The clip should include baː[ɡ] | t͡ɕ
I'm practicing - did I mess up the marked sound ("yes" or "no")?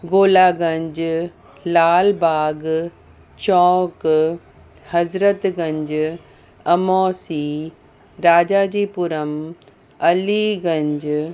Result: no